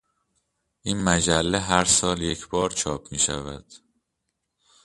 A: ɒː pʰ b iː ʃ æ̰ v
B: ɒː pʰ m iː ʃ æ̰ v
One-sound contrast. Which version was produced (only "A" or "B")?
B